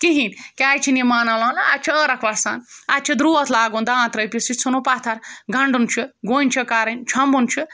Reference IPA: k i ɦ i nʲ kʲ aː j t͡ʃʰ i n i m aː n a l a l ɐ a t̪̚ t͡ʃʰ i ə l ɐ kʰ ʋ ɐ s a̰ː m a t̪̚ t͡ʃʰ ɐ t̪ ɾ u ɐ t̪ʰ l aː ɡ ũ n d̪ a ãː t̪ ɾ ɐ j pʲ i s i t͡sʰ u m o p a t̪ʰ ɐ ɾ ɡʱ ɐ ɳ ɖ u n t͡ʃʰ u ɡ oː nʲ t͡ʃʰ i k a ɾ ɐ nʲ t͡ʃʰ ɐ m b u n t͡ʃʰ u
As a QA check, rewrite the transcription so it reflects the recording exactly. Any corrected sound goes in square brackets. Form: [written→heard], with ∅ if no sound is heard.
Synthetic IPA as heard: k i ɦ i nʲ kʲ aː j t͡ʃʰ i n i m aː n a l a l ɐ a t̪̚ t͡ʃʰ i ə [l→ɾ] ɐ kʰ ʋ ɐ s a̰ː [m→n] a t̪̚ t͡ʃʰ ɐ [t̪→d̪] ɾ u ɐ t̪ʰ l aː ɡ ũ n d̪ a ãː t̪ ɾ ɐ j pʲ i s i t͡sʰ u [m→n] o p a t̪ʰ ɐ ɾ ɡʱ ɐ ɳ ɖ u n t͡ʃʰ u ɡ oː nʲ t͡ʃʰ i k a ɾ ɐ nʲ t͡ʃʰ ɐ m b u n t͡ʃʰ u